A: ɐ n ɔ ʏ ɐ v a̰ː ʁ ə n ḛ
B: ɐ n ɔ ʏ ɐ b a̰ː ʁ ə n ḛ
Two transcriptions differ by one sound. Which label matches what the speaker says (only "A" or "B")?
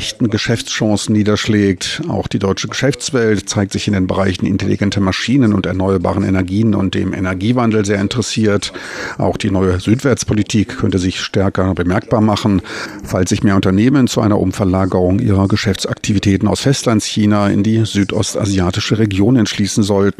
B